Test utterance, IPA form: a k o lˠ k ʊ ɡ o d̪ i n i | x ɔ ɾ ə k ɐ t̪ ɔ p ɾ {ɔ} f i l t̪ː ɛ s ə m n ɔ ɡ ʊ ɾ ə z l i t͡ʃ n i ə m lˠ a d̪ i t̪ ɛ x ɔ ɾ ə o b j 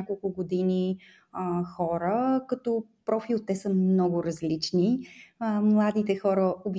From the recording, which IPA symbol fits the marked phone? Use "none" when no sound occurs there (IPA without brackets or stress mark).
ɔ